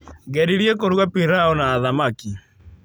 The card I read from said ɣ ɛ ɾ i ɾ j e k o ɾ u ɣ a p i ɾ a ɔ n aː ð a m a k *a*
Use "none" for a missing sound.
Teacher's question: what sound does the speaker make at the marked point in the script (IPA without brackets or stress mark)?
i